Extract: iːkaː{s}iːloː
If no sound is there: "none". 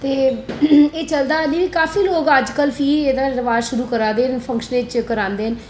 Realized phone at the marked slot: f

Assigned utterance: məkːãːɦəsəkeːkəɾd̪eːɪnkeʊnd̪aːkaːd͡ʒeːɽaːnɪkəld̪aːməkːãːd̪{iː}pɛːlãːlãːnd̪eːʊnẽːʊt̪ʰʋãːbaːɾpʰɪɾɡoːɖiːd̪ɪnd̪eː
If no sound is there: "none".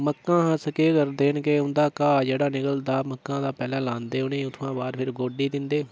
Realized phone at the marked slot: aː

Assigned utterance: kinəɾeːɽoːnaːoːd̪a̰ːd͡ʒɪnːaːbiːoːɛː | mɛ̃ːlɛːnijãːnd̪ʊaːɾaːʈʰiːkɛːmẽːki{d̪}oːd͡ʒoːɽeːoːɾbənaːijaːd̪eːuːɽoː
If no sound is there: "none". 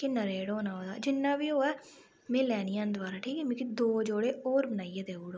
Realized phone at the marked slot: d̪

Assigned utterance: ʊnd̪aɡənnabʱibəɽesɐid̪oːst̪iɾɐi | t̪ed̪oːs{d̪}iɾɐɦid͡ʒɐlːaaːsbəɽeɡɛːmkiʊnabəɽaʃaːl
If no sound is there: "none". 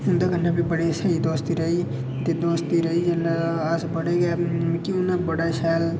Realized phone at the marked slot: t̪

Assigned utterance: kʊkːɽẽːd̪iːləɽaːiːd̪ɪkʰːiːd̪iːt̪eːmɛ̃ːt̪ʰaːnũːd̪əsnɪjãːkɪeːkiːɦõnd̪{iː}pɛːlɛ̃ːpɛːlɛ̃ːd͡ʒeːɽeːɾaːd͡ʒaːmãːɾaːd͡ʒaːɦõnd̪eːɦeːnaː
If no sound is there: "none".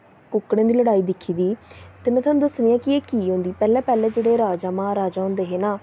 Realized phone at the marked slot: iː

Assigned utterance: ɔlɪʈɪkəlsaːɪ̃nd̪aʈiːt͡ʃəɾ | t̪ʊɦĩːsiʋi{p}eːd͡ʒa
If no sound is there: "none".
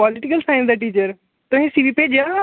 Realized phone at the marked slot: p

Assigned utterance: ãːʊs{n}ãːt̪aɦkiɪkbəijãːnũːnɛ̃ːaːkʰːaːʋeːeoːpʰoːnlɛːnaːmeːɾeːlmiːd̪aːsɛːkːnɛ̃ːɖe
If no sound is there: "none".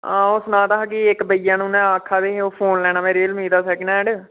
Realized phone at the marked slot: n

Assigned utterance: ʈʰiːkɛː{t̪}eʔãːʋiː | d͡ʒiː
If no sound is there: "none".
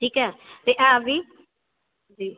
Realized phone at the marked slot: t̪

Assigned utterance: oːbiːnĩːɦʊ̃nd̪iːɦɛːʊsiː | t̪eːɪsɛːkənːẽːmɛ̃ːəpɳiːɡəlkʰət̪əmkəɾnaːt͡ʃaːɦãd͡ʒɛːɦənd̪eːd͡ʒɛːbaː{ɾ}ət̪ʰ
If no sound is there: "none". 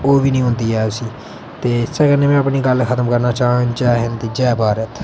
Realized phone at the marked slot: ɾ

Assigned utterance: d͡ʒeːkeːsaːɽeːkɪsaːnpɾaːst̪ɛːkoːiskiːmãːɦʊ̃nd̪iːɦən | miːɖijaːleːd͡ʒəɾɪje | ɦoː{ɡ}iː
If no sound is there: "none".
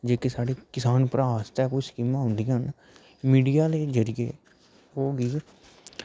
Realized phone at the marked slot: ɡ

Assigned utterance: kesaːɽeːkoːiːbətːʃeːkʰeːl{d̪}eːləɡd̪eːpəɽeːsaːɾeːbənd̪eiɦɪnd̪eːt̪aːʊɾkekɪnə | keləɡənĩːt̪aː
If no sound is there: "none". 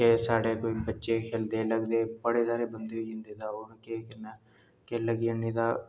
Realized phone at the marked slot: d̪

